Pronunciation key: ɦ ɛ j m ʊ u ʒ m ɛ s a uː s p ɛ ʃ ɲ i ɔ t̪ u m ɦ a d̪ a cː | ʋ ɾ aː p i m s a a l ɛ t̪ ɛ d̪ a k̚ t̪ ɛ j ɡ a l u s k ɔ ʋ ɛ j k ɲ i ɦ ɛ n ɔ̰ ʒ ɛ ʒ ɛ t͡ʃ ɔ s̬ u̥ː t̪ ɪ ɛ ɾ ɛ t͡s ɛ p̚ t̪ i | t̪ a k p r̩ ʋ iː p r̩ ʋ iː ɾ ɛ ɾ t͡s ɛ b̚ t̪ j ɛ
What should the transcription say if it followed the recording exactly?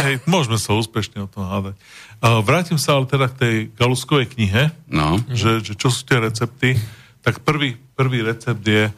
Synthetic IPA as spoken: ɦ ɛ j m ʊ ɔ ʒ m ɛ s a uː s p ɛ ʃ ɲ ɛ ɔ t̪ ɔ m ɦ a d̪ a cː | ʋ ɾ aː c i m s a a l ɛ t̪ ɛ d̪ a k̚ t̪ ɛ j ɡ a l u s k ɔ ʋ ɛ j k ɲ i ɦ ɛ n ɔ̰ ʒ ɛ ʒ ɛ t͡ʃ ɔ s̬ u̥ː t̪ ɪ ɛ ɾ ɛ t͡s ɛ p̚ t̪ i | t̪ a k p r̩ ʋ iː p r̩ ʋ iː ɾ ɛ t͡s ɛ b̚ d̪ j ɛ